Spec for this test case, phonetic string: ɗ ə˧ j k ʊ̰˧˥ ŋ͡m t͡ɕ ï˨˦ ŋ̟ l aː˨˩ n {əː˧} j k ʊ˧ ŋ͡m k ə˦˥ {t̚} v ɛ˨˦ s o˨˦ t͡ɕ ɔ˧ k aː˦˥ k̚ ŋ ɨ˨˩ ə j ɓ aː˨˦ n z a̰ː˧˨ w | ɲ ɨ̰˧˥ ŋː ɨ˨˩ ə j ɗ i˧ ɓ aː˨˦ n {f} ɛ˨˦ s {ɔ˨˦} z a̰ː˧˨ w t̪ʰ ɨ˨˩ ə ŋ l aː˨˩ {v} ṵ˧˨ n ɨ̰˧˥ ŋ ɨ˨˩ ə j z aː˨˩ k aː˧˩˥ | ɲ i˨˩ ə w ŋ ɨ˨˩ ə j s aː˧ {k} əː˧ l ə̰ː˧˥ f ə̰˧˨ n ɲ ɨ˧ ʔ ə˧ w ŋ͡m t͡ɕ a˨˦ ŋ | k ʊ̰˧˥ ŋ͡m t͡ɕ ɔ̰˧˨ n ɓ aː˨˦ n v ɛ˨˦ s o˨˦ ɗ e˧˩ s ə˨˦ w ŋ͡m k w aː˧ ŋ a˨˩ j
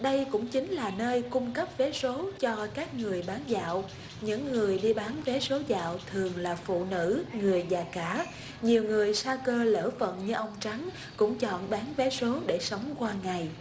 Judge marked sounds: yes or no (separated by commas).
yes, no, no, no, no, yes